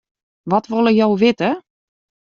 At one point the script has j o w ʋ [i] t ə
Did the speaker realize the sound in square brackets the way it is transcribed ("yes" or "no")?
no